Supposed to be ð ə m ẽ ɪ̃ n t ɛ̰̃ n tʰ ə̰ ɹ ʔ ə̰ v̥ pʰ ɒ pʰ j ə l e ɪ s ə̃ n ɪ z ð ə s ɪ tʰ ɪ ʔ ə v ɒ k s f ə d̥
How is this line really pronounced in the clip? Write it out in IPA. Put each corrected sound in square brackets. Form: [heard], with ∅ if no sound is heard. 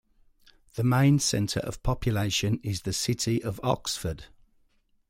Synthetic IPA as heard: ð ə m ẽ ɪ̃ n [s] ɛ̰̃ n tʰ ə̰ ɹ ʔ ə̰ v̥ pʰ ɒ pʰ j ə l e ɪ [ʃ] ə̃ n ɪ z ð ə s ɪ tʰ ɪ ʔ ə v ɒ k s f ə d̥